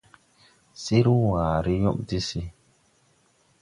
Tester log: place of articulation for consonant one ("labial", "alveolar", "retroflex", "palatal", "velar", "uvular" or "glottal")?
alveolar